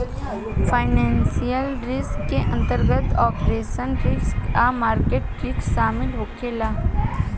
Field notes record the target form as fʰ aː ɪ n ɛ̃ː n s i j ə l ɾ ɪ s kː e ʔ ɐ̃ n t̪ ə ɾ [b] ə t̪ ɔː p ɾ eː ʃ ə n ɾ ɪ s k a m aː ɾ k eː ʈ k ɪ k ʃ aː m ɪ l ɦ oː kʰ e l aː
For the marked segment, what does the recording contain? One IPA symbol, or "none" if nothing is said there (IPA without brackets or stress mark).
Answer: ɡ